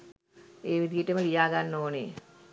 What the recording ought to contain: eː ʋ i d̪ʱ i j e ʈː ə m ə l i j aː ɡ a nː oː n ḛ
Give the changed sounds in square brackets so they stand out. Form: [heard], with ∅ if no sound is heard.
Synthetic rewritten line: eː ʋ i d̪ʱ i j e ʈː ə m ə l i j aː ɡ a nː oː n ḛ